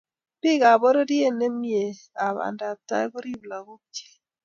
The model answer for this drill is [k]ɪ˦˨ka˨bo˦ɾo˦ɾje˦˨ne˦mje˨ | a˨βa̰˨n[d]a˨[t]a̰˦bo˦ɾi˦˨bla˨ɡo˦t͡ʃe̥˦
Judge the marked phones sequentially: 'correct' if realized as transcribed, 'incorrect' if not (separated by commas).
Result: incorrect, correct, correct